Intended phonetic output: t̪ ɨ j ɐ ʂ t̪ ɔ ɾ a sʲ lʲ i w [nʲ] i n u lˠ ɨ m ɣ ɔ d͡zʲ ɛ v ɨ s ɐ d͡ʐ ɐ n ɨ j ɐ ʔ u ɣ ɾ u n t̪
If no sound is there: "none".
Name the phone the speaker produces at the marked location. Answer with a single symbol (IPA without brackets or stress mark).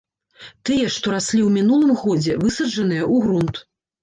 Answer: mʲ